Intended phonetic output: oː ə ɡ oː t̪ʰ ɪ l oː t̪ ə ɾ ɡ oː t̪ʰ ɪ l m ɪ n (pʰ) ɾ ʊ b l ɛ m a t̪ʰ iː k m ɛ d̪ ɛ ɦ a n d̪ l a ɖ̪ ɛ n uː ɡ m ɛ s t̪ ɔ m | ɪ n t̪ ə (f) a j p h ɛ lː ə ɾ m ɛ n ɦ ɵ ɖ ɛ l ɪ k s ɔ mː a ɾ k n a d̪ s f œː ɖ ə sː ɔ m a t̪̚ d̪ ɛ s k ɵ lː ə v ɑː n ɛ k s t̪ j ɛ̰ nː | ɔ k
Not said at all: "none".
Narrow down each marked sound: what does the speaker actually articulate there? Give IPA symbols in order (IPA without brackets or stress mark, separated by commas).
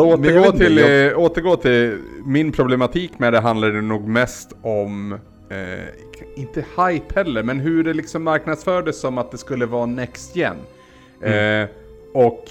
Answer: pʰ, h